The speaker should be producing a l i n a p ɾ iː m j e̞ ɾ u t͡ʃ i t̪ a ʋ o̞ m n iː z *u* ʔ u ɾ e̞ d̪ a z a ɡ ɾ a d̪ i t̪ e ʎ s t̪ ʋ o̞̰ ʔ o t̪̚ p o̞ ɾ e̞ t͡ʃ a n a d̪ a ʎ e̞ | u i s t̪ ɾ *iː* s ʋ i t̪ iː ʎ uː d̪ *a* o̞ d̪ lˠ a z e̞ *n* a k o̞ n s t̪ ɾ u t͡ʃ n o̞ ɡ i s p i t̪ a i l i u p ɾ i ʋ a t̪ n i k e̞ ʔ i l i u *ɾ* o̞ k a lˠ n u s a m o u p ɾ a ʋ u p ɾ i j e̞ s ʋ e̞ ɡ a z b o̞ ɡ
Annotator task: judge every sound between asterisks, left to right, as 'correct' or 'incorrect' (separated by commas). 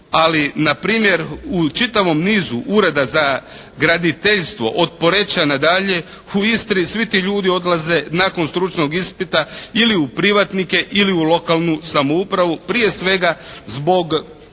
correct, incorrect, incorrect, correct, incorrect